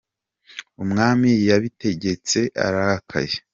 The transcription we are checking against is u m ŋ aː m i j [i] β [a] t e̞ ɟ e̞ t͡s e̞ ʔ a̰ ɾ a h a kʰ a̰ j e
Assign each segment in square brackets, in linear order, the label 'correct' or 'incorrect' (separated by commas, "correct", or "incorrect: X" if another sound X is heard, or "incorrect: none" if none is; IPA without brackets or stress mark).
incorrect: a, incorrect: i